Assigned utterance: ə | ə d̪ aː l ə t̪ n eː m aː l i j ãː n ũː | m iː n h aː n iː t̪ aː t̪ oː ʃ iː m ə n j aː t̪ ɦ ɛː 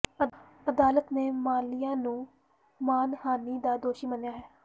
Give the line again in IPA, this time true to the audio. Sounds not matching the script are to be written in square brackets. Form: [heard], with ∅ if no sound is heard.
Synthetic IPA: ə | ə d̪ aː l ə t̪ n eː m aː l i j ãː n ũː | m [aː] n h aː n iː [d̪] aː [d̪] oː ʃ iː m ə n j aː [∅] ɦ ɛː